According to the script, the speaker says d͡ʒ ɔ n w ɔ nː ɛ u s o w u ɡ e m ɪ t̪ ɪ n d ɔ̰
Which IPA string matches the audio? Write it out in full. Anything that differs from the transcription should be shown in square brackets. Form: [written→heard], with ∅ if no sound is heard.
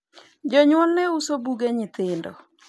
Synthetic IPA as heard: d͡ʒ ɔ [n→ɲ] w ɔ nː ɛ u s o [w→b] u ɡ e [m→ɲ] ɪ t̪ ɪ n d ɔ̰